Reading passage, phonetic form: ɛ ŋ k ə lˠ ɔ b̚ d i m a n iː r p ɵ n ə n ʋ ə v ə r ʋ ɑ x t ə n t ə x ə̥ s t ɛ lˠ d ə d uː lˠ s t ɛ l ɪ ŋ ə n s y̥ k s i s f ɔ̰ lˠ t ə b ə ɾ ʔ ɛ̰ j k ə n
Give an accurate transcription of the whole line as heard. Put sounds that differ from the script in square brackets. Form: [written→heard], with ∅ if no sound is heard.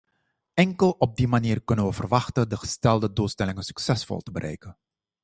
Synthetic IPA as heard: ɛ ŋ k ə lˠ ɔ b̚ d i m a n iː r [p→k] ɵ n ə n ʋ ə v ə r ʋ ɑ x t ə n [t→d] ə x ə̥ s t ɛ lˠ d ə d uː lˠ s t ɛ l ɪ ŋ ə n s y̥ k s [i→ɛ] s f ɔ̰ lˠ t ə b ə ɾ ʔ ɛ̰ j k ə n